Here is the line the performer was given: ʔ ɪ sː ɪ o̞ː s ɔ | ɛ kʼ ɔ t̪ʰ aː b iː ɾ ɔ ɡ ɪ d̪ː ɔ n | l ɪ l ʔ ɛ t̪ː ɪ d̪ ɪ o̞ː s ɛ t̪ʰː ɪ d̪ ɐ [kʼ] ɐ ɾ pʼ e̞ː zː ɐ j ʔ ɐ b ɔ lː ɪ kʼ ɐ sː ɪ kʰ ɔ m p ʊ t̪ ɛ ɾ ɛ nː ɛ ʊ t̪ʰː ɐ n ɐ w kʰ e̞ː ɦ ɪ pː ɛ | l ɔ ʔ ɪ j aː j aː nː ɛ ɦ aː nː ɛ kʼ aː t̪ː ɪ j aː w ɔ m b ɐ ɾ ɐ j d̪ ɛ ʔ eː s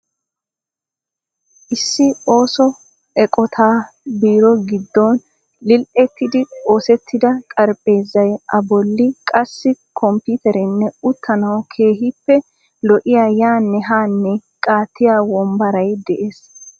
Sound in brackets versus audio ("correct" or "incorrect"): correct